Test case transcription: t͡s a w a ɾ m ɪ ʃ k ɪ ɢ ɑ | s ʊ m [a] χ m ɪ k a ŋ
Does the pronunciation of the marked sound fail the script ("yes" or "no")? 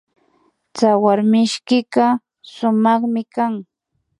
yes